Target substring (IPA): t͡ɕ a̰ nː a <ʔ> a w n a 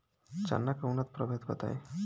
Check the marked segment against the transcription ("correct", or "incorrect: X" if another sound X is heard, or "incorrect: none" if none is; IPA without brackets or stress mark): incorrect: k